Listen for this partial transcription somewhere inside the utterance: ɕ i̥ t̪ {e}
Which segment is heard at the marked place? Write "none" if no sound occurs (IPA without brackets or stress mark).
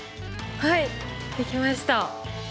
a